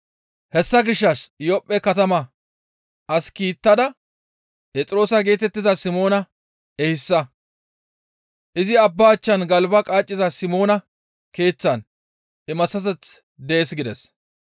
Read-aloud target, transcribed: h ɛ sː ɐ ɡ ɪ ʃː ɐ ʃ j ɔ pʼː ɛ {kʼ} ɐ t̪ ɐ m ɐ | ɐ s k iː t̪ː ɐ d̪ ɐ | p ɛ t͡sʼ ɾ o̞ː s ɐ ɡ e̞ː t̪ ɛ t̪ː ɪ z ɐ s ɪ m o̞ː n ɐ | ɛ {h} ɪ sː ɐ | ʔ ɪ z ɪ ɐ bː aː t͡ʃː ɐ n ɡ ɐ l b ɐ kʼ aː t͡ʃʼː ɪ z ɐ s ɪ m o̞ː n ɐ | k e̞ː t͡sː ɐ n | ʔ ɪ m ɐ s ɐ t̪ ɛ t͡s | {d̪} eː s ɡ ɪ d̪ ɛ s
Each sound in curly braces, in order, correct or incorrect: incorrect: k, correct, correct

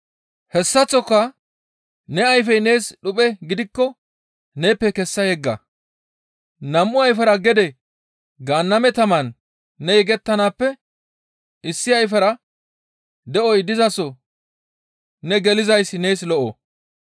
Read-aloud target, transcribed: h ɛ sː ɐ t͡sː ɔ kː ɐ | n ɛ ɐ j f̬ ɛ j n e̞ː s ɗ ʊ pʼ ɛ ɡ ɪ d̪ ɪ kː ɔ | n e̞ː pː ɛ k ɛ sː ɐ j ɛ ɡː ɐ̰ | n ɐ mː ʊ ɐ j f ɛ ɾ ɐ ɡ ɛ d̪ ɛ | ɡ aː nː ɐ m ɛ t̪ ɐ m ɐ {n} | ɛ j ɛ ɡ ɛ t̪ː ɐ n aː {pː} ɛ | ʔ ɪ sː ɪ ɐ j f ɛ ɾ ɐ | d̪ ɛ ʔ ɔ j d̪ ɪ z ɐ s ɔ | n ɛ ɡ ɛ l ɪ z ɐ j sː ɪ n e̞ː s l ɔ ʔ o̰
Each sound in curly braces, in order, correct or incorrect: incorrect: nː, correct

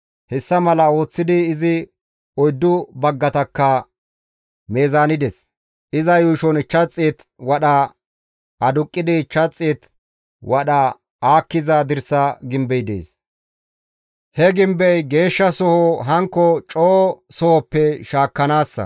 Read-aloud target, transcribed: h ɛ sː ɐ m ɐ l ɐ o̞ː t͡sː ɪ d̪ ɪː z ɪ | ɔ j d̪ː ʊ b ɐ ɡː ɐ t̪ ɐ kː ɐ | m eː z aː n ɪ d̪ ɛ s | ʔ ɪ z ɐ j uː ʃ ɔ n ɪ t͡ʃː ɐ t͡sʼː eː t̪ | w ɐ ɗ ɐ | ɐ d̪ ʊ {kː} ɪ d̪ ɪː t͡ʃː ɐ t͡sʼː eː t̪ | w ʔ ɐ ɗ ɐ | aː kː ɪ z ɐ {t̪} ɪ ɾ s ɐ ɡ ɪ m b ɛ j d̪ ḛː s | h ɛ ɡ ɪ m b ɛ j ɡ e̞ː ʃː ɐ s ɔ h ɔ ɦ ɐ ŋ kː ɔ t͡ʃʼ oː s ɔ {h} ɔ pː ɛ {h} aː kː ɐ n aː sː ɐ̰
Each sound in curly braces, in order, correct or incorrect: incorrect: kʼː, incorrect: d̪, correct, incorrect: ʃ

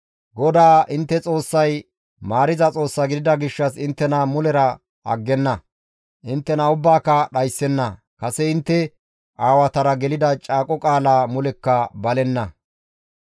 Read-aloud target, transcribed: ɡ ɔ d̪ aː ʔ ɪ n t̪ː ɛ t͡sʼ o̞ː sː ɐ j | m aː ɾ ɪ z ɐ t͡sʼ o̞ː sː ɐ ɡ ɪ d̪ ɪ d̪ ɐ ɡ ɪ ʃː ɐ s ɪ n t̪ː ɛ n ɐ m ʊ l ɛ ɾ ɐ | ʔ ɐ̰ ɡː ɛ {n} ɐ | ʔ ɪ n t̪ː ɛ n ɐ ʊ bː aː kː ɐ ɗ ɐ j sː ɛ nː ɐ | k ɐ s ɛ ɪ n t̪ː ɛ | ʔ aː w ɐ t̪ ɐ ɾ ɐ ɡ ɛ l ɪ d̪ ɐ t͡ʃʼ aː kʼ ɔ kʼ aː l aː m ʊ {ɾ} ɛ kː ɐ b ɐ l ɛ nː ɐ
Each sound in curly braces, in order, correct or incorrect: incorrect: nː, incorrect: l

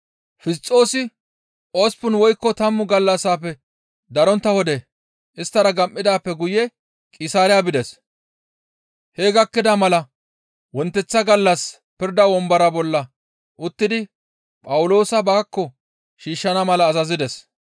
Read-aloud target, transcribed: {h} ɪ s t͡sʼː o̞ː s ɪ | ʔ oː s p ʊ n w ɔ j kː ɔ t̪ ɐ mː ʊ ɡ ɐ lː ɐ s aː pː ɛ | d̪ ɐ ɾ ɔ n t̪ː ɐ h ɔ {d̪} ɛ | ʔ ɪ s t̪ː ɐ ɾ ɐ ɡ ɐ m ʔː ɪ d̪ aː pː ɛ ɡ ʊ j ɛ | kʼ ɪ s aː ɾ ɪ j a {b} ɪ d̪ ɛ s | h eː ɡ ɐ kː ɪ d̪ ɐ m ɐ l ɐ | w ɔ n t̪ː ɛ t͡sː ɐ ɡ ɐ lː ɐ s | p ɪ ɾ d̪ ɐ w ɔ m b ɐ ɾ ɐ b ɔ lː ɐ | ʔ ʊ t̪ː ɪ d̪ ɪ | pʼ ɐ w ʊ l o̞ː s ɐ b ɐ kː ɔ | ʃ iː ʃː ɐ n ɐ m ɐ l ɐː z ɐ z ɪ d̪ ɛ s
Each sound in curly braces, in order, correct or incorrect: incorrect: f, correct, correct

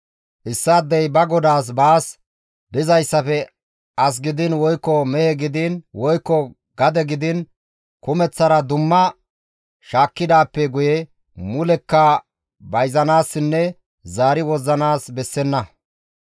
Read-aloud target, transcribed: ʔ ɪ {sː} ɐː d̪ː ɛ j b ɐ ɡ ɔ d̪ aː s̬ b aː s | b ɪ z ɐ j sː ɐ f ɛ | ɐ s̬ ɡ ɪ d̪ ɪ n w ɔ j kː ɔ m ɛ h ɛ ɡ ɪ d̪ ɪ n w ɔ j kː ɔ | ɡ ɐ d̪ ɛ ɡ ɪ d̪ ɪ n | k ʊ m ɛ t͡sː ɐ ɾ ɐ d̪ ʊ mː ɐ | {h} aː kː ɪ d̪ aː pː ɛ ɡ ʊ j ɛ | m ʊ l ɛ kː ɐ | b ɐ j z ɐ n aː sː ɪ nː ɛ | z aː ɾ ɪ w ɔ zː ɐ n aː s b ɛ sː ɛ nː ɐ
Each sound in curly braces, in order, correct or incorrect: correct, incorrect: ʃ

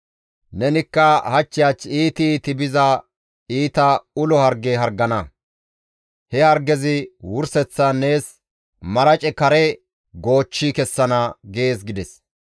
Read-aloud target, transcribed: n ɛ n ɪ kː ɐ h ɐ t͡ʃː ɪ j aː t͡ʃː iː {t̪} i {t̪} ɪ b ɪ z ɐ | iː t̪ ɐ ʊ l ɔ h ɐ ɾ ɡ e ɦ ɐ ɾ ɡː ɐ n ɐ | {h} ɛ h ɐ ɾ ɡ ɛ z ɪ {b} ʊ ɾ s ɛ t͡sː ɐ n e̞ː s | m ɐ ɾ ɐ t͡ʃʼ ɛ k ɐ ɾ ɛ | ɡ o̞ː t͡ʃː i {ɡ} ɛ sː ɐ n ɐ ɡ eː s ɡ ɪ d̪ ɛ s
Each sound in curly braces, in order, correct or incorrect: correct, correct, correct, incorrect: w, incorrect: k

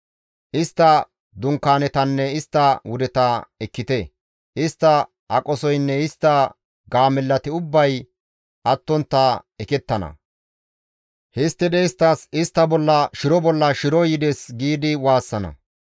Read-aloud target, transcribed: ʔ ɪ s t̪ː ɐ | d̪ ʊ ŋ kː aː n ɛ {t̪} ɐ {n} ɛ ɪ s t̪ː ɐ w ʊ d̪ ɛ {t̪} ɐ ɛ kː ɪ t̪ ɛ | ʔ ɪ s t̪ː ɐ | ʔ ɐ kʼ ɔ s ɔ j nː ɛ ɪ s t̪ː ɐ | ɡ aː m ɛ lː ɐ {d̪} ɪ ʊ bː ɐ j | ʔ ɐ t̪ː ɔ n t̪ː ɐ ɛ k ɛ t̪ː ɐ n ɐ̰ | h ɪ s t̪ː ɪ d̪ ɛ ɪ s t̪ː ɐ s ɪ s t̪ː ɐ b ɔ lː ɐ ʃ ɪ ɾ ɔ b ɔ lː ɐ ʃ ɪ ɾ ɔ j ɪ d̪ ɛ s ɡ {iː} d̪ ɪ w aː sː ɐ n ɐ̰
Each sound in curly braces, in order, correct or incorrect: correct, incorrect: nː, correct, incorrect: t̪, correct

